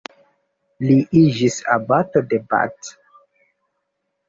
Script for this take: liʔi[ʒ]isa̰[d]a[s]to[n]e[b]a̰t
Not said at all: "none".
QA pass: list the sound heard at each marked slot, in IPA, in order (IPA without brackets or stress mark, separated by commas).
d͡ʒ, b, none, d, b